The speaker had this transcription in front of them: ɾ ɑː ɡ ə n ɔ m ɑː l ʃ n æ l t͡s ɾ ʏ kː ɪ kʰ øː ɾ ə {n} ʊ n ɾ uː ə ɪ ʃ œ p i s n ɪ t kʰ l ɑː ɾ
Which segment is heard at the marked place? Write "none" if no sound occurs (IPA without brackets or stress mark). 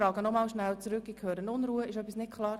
n